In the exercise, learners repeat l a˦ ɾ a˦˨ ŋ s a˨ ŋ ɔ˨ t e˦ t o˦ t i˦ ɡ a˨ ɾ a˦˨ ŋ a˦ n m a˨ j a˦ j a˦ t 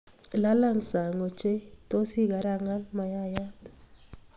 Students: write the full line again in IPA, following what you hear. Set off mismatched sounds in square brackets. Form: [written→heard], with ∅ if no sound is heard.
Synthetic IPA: l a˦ [ɾ→l] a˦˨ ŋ s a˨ ŋ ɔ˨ [t→t͡ʃ] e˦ t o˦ [t→s] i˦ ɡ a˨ ɾ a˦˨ ŋ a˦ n m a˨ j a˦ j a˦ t